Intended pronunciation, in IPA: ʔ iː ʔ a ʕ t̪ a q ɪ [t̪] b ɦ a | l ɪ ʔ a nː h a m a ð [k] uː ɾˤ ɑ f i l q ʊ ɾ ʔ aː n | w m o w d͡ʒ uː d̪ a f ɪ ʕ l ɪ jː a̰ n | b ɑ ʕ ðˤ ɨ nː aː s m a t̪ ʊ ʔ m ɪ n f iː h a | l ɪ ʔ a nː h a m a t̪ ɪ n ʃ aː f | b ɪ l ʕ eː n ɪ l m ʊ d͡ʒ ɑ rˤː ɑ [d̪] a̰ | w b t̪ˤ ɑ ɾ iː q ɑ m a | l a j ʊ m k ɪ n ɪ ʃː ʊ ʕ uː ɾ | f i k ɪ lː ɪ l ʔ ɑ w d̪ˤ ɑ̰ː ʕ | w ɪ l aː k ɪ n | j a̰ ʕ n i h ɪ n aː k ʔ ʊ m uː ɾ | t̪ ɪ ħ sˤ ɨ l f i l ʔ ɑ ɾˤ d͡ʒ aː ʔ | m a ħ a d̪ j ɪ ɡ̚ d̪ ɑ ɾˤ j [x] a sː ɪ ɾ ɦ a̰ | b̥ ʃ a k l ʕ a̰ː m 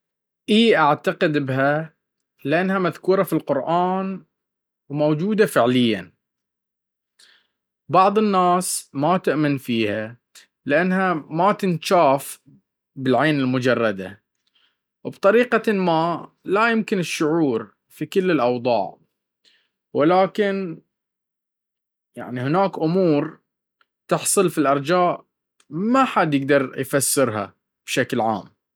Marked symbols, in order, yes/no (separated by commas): no, yes, yes, no